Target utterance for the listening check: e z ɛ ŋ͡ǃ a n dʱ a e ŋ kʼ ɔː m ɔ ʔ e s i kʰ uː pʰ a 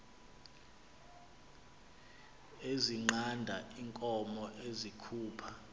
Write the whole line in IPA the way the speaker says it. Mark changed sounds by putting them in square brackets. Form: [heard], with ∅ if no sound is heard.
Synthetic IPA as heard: e z [i] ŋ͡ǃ a n dʱ a [i] ŋ kʼ [ɔ] m ɔ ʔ e [z] i kʰ uː pʰ a